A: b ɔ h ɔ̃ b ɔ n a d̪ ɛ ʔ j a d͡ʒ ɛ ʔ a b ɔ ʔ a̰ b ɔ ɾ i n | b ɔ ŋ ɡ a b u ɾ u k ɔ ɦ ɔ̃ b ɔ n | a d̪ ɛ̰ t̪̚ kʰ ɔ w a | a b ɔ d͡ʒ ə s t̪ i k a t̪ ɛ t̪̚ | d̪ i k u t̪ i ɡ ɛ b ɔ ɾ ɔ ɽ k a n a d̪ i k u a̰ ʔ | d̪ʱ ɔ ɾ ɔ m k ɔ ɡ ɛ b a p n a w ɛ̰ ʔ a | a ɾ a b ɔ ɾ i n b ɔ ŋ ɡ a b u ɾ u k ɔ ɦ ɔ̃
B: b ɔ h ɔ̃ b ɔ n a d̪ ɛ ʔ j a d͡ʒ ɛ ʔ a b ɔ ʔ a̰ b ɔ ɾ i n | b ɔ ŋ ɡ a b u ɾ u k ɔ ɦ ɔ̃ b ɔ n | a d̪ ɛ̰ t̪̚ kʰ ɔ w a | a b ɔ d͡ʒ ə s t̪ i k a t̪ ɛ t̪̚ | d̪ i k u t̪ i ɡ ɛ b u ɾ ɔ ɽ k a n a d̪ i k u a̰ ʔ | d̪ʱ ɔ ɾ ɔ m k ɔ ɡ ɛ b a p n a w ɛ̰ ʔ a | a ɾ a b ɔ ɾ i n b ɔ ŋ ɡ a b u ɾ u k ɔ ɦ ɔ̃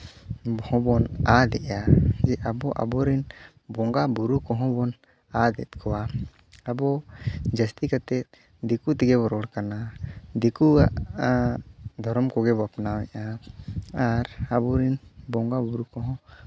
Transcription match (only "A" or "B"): A